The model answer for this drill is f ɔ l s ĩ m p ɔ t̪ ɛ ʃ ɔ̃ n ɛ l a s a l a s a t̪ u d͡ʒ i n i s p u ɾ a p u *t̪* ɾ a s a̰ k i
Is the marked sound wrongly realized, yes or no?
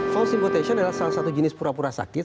yes